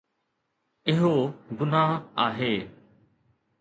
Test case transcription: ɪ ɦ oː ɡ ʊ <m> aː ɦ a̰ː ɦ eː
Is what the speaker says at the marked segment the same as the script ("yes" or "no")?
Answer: no